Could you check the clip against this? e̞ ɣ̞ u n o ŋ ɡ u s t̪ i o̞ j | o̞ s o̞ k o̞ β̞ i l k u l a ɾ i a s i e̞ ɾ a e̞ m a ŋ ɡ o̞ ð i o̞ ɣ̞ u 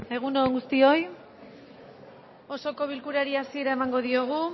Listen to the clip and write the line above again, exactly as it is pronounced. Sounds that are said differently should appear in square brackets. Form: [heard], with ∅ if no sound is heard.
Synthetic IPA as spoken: e̞ ɣ̞ u n o ŋ ɡ u s t̪ i o̞ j | o̞ s o̞ k o̞ β̞ i l k u [ɾ] a ɾ i a s i e̞ ɾ a e̞ m a ŋ ɡ o̞ ð i o̞ ɣ̞ u